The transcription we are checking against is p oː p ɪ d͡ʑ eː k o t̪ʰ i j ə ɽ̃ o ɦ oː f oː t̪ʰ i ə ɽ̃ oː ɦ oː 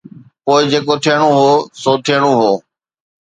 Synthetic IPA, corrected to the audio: p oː ɪ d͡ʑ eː k o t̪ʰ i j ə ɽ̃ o ɦ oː s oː t̪ʰ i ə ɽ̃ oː ɦ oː